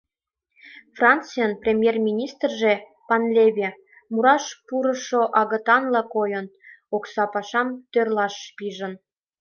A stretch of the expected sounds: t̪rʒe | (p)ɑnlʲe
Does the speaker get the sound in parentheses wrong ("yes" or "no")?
no